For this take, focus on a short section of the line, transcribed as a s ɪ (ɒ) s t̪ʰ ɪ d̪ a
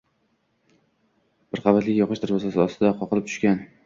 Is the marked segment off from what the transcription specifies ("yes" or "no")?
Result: no